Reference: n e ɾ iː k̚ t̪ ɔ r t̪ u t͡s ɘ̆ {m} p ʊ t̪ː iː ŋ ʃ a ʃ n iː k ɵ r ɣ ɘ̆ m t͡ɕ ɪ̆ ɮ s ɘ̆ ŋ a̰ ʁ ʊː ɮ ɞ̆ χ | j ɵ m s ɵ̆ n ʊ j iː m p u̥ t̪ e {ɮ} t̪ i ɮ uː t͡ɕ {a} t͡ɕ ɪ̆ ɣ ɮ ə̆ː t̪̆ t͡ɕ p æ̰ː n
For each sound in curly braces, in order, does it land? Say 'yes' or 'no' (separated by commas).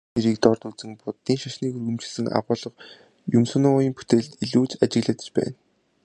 no, yes, yes